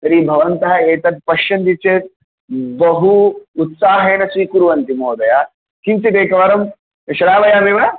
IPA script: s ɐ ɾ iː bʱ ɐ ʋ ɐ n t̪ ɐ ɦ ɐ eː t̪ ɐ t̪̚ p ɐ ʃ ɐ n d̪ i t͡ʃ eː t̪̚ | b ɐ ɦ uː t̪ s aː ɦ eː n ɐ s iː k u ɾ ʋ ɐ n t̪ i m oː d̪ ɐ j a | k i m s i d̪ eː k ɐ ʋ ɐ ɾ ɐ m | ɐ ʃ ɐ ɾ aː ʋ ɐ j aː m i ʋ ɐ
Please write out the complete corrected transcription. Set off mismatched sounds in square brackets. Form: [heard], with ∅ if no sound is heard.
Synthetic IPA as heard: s ɐ ɾ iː bʱ ɐ ʋ ɐ n t̪ ɐ ɦ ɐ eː t̪ ɐ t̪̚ p ɐ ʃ ɐ n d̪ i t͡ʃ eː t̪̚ | b ɐ ɦ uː t̪ s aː ɦ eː n ɐ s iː k u ɾ ʋ ɐ n t̪ i m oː d̪ ɐ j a | k i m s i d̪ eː k ɐ ʋ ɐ ɾ ɐ m | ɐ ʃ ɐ ɾ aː ʋ ɐ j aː m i ʋ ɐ